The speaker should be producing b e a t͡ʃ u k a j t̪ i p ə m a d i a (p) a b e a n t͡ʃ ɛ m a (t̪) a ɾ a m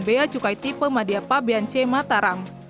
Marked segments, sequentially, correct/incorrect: correct, correct

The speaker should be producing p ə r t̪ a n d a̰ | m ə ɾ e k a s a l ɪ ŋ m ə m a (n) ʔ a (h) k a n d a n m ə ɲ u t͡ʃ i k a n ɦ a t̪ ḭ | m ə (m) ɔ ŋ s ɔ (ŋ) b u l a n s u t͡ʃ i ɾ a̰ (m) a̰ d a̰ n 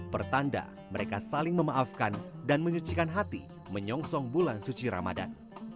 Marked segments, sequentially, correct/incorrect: incorrect: none, incorrect: f, incorrect: ɲ, correct, correct

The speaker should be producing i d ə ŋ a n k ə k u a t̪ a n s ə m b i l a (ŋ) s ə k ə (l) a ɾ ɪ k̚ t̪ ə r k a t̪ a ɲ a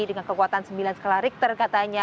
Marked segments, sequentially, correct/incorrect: incorrect: n, correct

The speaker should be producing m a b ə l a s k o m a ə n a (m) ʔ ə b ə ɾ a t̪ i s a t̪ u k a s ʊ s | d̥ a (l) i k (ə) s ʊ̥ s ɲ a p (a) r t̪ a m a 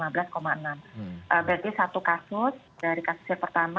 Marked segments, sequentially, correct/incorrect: correct, incorrect: ɾ, incorrect: a, incorrect: ə

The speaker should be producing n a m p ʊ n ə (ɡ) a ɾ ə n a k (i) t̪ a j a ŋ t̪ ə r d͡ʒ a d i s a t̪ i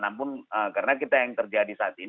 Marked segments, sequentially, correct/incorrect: incorrect: k, correct

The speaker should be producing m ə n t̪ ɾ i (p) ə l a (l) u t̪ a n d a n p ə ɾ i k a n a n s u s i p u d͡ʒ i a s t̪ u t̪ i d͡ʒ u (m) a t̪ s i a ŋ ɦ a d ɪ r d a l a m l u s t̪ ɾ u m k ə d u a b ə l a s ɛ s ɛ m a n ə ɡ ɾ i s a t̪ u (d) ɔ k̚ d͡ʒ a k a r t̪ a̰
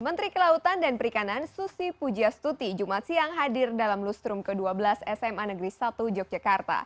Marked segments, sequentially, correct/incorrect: incorrect: k, incorrect: none, correct, incorrect: d͡ʒ

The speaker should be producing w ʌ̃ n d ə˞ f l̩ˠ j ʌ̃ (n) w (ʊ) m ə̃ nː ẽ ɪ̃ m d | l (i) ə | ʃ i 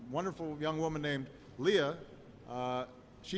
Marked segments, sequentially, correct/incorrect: incorrect: ŋ, correct, correct

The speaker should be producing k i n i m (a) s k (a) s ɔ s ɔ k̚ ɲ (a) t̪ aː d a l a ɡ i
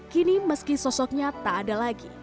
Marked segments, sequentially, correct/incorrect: incorrect: ə, incorrect: i, correct

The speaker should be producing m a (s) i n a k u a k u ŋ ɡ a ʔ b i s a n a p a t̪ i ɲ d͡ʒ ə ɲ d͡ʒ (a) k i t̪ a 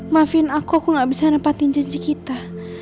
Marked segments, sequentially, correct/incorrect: incorrect: f, incorrect: i

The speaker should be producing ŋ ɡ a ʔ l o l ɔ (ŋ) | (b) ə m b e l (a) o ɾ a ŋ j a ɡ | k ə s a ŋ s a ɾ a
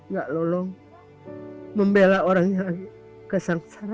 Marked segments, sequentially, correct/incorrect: correct, incorrect: m, correct

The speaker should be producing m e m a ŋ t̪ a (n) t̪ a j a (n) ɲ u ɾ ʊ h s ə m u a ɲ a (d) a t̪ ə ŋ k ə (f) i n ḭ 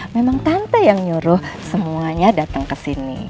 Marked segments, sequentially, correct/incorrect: correct, incorrect: ŋ, correct, incorrect: s

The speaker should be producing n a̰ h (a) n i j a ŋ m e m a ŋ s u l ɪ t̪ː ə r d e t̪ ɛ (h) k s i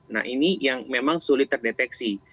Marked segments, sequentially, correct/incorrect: incorrect: i, incorrect: none

